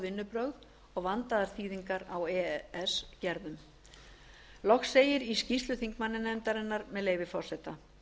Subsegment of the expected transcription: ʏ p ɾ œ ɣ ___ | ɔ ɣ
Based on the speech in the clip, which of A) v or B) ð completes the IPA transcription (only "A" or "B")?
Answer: B